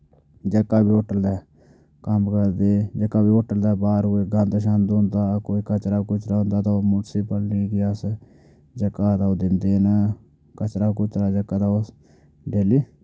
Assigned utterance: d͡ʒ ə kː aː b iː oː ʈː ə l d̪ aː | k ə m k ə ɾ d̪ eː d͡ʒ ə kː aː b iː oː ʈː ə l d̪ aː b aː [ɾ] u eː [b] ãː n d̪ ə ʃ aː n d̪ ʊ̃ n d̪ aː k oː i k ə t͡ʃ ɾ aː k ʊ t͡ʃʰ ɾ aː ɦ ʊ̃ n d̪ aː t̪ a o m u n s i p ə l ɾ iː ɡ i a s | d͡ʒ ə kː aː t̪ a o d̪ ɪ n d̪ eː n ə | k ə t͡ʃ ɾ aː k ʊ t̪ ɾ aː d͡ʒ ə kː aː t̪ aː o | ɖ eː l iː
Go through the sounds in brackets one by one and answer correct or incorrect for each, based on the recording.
correct, incorrect

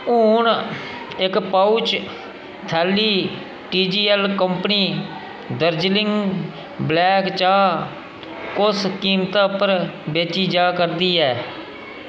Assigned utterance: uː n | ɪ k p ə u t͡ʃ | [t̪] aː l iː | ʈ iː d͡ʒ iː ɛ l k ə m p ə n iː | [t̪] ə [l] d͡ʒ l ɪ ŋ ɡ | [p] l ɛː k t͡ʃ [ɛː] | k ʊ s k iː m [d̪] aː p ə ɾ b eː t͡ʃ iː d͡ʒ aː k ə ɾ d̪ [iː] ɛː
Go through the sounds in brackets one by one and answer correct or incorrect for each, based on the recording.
incorrect, incorrect, incorrect, incorrect, incorrect, incorrect, correct

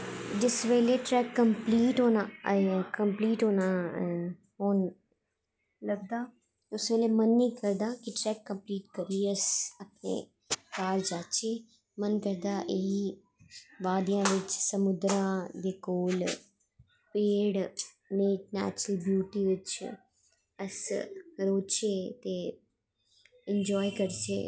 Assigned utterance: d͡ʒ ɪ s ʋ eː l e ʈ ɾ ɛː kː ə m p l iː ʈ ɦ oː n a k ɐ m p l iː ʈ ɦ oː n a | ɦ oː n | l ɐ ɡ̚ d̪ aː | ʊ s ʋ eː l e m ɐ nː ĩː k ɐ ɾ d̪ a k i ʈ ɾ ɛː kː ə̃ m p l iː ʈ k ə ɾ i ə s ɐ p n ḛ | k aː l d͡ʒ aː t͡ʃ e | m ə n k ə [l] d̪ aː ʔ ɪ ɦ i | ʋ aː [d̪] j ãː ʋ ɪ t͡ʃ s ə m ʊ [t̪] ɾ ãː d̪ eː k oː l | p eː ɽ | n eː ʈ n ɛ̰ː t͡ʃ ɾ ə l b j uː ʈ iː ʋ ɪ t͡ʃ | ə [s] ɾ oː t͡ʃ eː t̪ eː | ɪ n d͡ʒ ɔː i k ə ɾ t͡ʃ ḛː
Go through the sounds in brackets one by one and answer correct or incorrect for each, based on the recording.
incorrect, correct, incorrect, correct

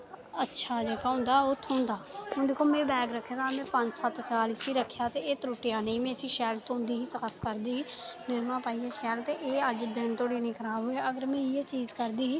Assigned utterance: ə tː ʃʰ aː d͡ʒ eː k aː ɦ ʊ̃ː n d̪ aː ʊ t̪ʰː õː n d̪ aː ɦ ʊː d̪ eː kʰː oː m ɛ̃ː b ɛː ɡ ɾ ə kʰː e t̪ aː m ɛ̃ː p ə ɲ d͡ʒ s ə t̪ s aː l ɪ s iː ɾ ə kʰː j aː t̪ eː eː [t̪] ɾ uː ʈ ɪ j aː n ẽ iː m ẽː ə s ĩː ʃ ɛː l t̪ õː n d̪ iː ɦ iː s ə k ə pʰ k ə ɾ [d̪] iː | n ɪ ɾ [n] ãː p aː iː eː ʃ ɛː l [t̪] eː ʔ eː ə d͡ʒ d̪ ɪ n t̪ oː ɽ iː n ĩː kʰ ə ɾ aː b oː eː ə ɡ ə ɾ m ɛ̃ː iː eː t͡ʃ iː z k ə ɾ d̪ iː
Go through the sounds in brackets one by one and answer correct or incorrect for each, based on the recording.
correct, correct, incorrect, correct

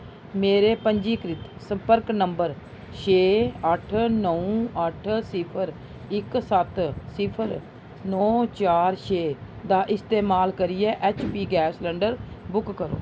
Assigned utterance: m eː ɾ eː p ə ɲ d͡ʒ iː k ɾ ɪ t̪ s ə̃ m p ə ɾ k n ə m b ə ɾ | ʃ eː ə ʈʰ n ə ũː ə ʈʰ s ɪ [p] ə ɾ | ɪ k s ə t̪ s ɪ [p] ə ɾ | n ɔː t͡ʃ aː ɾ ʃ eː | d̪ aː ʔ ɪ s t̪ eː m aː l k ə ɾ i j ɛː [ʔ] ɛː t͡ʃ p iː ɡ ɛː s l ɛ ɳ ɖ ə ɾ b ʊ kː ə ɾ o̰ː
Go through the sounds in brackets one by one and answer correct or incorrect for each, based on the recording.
incorrect, incorrect, correct

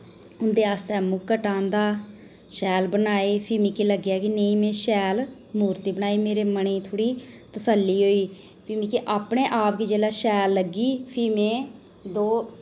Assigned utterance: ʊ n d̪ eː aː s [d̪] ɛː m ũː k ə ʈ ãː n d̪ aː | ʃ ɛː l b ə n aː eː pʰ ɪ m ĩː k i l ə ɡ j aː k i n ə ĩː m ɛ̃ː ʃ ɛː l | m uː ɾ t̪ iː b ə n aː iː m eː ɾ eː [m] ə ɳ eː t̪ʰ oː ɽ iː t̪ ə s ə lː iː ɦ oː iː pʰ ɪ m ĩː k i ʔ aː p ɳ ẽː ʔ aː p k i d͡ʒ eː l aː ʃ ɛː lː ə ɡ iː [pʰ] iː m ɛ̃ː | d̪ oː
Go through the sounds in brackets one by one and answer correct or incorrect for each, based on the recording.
incorrect, correct, correct

